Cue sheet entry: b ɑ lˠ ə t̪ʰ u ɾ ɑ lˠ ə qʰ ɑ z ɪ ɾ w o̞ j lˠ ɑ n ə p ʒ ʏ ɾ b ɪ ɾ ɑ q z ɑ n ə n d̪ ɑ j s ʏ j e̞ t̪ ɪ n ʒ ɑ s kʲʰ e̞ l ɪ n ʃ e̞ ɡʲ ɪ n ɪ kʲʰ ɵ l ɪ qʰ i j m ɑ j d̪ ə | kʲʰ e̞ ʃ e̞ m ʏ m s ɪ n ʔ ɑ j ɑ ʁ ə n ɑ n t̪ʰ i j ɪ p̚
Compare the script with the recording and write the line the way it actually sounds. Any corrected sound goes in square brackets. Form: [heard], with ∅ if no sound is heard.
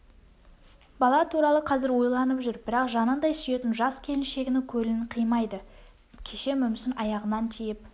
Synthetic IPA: b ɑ lˠ [ɑ] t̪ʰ u ɾ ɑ lˠ ə qʰ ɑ z ɪ ɾ w o̞ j lˠ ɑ n ə p ʒ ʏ ɾ b ɪ ɾ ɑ q [ʒ] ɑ n ə n d̪ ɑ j s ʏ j e̞ t̪ ɪ n ʒ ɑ s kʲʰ e̞ l ɪ n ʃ e̞ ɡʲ ɪ n ɪ kʲʰ ɵ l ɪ qʰ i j m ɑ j d̪ ə | kʲʰ e̞ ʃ e̞ m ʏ m s ɪ n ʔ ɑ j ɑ ʁ ə n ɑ n t̪ʰ i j ɪ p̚